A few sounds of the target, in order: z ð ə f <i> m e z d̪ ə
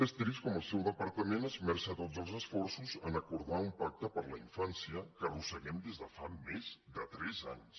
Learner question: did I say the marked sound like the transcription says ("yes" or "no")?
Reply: no